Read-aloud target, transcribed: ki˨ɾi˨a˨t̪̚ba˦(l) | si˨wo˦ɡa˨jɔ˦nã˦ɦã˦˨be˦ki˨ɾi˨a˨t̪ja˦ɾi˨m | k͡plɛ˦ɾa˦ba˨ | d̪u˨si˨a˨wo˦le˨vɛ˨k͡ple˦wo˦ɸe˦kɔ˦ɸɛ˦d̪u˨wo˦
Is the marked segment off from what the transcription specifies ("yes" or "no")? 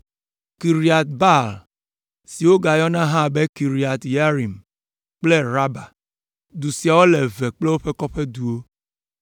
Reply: no